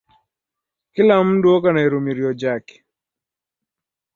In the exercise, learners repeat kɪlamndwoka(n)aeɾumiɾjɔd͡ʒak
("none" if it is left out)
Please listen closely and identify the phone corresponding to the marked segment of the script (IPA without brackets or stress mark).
n